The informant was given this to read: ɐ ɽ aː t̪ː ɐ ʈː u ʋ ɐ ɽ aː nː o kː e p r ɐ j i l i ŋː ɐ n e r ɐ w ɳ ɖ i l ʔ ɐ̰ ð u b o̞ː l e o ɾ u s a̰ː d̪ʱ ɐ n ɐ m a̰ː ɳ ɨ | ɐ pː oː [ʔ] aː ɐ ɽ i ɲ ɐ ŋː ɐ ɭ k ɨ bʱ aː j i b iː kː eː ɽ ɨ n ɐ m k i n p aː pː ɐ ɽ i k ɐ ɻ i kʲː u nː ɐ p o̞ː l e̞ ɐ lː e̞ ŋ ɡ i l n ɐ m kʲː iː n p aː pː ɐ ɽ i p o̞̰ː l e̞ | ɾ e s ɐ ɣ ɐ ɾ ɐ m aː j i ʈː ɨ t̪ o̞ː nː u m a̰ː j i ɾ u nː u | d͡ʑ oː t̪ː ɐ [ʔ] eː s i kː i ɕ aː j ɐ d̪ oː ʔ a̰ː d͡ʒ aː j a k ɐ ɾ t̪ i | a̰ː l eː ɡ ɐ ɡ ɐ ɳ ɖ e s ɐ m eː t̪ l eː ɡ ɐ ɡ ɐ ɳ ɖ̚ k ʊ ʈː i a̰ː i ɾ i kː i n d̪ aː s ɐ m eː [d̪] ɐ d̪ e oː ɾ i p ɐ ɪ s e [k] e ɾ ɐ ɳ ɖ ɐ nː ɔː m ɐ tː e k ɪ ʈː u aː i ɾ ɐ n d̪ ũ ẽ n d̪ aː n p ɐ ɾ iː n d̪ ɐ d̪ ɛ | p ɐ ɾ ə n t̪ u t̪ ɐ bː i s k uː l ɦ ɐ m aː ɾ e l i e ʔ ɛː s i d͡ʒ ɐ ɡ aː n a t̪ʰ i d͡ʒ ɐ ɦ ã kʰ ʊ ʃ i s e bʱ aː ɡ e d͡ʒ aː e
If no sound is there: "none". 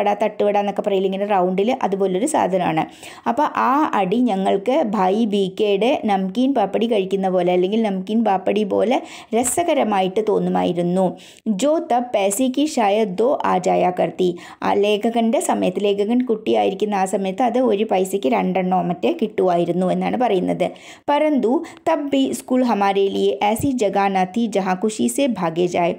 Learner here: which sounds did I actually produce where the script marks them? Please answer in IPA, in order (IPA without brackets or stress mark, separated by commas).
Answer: ʔ, p, t̪, k